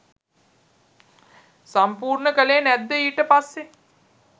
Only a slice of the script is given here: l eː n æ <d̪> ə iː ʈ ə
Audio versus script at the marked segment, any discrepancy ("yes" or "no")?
yes